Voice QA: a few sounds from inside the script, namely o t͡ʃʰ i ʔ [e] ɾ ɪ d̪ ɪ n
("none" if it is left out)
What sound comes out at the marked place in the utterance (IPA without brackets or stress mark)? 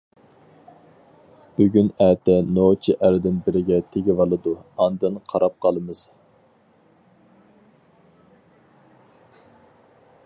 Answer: æ